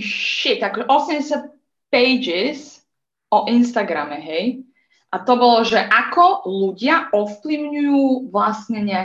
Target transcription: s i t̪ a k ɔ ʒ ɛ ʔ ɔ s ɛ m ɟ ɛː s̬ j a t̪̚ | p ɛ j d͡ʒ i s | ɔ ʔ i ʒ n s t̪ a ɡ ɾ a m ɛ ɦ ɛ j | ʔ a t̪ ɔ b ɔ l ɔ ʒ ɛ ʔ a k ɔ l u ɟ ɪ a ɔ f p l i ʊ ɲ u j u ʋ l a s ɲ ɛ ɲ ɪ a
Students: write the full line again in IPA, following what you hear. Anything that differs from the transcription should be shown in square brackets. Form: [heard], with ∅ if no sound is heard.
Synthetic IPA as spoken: [ʃ] i t̪ a k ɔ ʒ ɛ ʔ ɔ s ɛ m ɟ [ɛ] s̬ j a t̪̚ | p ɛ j d͡ʒ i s | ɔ ʔ i [∅] n s t̪ a ɡ ɾ a m ɛ ɦ ɛ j | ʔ a t̪ ɔ b ɔ l ɔ ʒ ɛ ʔ a k ɔ l u ɟ ɪ a ɔ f p l i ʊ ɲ u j [uː] ʋ l a s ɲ ɛ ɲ ɪ a